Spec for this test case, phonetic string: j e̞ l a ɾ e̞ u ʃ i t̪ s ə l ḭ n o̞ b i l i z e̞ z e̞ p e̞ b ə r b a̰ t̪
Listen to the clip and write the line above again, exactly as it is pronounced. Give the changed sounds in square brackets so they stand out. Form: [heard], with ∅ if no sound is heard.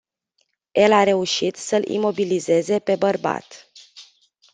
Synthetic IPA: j e̞ l a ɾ e̞ u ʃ i t̪ s ə l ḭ [m] o̞ b i l i z e̞ z e̞ p e̞ b ə r b a̰ t̪